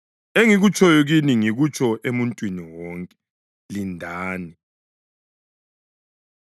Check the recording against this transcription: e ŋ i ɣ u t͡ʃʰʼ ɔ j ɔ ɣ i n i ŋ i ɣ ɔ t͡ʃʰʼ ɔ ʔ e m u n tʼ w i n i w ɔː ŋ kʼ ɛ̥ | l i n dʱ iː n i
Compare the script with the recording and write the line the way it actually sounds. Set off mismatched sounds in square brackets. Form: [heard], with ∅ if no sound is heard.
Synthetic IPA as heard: e ŋ i ɣ u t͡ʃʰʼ ɔ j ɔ ɣ i n i ŋ i ɣ [u] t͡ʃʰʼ ɔ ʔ e m u n tʼ w i n i w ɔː ŋ kʼ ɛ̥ | l i n dʱ [aː] n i